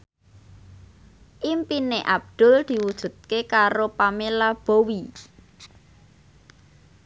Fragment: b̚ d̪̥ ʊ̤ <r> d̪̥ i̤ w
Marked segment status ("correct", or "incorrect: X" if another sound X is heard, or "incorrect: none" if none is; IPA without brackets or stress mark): incorrect: l